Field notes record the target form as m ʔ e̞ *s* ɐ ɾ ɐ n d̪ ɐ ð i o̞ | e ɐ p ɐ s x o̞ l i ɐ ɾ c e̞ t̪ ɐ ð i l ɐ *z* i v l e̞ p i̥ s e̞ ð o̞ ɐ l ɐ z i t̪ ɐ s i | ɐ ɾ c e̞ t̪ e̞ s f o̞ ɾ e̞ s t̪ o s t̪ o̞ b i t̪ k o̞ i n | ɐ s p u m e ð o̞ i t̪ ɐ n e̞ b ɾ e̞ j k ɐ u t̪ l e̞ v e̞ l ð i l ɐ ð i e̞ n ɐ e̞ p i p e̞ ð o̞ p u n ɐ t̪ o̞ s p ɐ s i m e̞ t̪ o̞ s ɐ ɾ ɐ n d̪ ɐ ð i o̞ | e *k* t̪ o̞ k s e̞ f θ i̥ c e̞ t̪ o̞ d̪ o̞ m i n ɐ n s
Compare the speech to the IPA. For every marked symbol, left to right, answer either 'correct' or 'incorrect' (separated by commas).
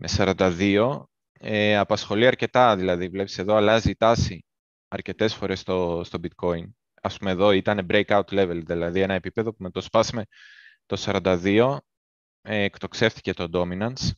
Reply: correct, incorrect, correct